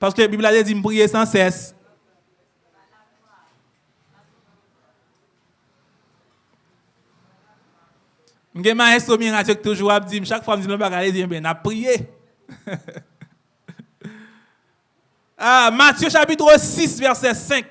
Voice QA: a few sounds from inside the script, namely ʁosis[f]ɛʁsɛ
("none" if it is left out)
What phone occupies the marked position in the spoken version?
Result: v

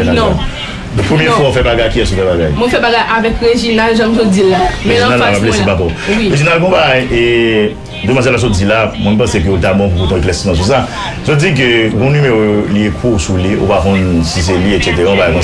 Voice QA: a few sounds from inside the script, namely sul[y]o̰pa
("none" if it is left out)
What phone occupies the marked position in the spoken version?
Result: i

